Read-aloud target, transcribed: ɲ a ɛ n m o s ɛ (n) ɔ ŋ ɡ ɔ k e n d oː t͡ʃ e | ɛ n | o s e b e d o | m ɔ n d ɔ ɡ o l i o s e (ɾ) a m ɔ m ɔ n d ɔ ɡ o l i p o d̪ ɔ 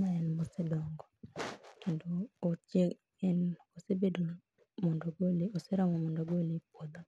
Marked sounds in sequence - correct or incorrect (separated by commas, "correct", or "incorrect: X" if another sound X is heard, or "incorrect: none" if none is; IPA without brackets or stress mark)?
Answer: incorrect: d, correct